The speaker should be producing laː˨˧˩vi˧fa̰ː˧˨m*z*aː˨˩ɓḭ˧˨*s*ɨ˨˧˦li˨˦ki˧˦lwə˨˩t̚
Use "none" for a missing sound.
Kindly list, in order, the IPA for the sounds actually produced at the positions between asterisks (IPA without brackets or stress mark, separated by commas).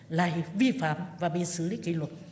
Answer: v, s